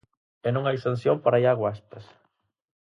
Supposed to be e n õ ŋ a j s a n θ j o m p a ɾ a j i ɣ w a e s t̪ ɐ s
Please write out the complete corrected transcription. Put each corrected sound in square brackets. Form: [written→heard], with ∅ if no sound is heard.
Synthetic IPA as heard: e n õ ŋ a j s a n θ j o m p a ɾ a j [i→a] ɣ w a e s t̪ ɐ s